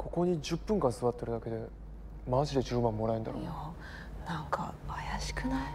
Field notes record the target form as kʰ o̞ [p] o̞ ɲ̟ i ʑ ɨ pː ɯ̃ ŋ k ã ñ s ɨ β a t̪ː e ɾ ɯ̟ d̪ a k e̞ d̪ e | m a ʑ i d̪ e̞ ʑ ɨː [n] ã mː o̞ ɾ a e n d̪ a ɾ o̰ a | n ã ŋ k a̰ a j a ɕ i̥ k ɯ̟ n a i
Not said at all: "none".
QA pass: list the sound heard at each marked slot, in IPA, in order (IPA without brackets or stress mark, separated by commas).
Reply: k, m